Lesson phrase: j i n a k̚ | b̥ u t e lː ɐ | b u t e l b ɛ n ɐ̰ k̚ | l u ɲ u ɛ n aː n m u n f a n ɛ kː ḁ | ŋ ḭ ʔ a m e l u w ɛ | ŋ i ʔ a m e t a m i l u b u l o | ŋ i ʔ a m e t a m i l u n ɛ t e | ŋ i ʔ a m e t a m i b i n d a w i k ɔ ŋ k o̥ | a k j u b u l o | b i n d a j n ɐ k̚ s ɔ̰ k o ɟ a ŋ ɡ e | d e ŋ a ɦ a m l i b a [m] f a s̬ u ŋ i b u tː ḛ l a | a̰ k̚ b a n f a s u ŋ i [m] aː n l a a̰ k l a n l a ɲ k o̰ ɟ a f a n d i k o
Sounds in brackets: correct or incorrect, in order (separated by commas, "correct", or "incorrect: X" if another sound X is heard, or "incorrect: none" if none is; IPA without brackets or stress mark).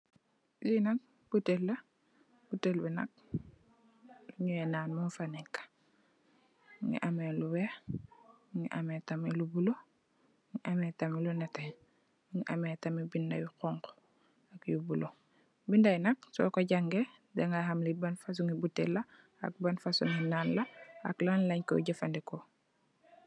incorrect: n, incorrect: n